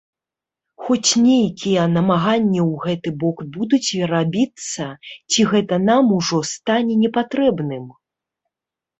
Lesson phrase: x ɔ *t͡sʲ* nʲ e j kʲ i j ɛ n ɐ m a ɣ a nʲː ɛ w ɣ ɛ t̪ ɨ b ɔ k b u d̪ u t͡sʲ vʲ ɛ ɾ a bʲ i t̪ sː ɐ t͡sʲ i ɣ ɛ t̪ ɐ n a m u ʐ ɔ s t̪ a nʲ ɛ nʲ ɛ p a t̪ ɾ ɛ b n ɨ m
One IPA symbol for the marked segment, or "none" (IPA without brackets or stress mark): t͡sʲ